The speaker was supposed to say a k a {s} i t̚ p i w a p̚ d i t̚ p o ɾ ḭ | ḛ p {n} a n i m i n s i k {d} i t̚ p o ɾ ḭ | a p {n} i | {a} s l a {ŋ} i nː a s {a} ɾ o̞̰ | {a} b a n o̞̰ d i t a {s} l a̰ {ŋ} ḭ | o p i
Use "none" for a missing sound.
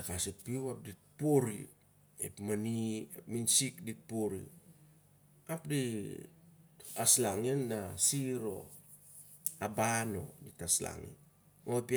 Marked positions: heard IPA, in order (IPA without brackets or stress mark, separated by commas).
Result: s, m, d, d, a, ŋ, i, a, s, ŋ